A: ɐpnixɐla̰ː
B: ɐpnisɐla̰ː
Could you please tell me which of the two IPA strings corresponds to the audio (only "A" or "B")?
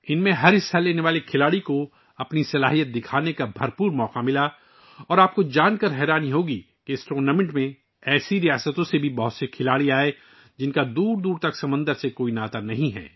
B